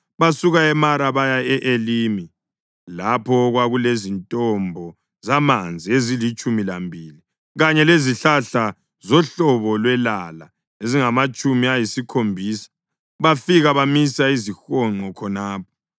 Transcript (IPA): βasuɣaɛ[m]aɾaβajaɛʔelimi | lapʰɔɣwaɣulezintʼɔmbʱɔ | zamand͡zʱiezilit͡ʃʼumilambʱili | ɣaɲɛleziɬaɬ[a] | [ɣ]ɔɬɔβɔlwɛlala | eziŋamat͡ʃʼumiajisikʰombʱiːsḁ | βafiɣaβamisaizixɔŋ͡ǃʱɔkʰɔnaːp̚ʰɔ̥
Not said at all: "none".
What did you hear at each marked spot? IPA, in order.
m, a, z

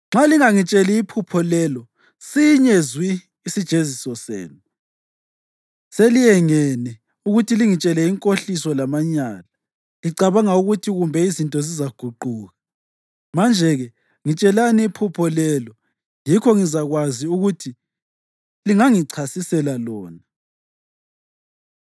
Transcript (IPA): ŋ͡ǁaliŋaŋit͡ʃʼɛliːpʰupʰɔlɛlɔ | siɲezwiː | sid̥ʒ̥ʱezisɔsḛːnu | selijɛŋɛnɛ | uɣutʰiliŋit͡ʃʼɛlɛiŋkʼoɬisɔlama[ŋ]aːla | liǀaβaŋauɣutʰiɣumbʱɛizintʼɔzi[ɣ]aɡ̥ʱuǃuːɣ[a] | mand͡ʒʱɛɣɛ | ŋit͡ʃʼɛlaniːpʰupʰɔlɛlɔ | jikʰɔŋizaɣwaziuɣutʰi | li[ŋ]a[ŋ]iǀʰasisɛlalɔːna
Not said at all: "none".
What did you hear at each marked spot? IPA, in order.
ɲ, z, a, ŋ, ŋ

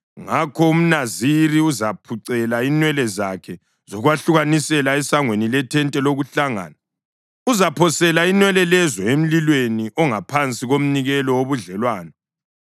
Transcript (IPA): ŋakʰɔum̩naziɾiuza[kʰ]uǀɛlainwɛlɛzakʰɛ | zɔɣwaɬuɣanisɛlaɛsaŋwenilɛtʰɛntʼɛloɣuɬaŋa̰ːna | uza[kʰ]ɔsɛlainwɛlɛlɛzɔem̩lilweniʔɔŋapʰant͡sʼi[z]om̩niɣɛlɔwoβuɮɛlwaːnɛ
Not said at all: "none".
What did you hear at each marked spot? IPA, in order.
pʰ, pʰ, ɣ

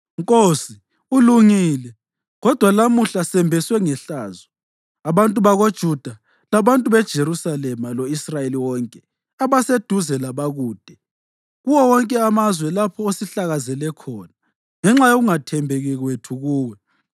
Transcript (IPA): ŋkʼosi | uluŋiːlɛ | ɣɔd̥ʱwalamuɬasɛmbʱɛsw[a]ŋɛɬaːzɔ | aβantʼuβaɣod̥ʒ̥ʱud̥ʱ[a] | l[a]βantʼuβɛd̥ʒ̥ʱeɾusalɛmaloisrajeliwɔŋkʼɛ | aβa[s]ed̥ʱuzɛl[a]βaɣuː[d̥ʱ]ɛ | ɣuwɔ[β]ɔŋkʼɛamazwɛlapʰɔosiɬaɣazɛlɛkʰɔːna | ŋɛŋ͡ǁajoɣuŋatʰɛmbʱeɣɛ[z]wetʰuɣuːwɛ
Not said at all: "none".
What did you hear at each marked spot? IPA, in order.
ɛ, a, a, s, a, d̥ʱ, w, ɣ

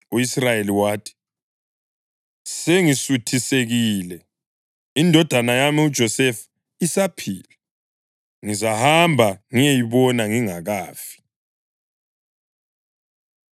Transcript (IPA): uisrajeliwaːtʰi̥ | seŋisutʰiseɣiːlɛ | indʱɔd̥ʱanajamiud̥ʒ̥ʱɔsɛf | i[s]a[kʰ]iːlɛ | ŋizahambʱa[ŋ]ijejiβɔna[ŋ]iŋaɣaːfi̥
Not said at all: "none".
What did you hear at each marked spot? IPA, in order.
s, pʰ, ŋ, ŋ

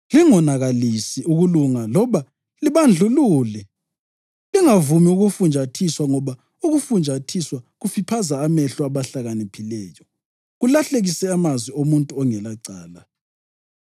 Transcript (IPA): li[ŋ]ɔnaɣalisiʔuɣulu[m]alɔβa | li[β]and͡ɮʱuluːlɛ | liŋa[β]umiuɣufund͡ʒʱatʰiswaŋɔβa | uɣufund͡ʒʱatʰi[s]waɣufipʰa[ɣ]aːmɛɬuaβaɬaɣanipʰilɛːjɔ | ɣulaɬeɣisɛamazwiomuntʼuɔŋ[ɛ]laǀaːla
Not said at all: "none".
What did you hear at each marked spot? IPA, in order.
ŋ, ŋ, β, v, s, z, ɛ

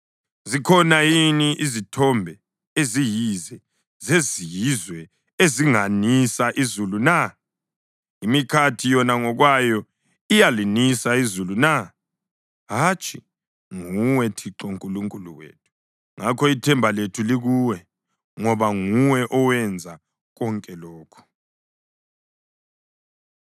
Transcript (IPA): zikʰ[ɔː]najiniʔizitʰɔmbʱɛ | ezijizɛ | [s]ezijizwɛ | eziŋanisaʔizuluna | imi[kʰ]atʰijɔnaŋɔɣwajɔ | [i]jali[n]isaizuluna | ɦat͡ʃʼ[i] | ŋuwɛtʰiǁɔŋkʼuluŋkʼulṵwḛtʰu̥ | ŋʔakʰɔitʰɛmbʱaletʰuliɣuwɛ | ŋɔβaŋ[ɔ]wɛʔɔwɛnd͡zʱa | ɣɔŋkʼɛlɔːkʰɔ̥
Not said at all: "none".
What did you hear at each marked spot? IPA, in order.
ɔ, z, kʰ, i, n, i, u

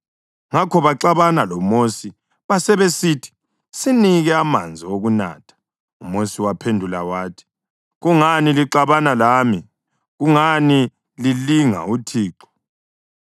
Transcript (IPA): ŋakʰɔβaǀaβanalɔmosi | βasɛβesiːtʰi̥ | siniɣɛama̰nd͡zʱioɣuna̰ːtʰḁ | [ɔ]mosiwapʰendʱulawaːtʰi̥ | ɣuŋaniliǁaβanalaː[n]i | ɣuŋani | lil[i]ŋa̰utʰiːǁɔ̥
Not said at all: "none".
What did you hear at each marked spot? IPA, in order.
u, m, i

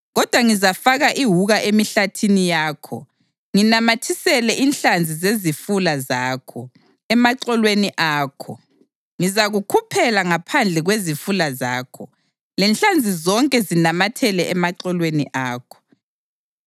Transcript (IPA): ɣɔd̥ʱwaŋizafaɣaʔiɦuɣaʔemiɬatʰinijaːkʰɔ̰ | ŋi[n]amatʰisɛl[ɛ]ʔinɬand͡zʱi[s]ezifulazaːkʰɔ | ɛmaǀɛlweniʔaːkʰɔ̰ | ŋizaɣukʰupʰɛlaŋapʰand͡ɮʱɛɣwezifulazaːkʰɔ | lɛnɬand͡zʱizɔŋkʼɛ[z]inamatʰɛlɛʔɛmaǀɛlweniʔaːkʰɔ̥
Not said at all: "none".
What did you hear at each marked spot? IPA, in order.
n, ɛ, z, z

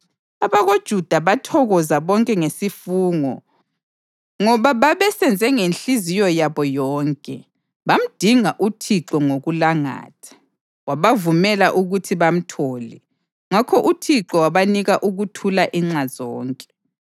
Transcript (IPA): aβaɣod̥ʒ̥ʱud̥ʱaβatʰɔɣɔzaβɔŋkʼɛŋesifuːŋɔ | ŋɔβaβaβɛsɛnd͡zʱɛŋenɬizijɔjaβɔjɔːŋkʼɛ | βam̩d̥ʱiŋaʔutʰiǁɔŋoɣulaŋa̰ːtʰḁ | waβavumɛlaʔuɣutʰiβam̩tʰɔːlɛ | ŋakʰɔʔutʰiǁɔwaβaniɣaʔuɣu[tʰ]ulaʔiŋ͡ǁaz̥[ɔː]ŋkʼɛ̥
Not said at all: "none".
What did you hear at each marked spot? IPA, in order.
tʰ, ɔː

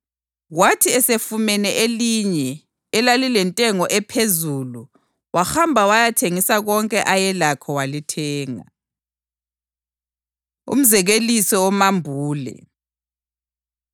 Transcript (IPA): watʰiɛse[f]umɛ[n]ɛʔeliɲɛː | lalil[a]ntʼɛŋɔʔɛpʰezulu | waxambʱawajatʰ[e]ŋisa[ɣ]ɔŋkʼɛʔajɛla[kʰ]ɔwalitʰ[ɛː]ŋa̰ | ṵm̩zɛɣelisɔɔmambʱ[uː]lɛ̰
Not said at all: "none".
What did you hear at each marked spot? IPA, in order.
f, n, ɛ, e, ɣ, kʰ, ɛː, uː

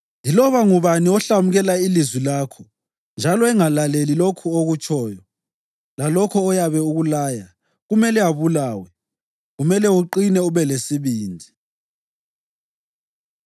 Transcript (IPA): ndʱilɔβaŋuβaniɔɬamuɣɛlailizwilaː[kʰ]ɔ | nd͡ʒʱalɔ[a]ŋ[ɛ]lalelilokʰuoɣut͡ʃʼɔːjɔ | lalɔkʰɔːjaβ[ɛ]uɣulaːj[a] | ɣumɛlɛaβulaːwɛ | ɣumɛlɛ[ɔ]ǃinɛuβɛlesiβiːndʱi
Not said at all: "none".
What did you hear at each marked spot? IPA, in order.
kʰ, ɛ, a, ɛ, a, u

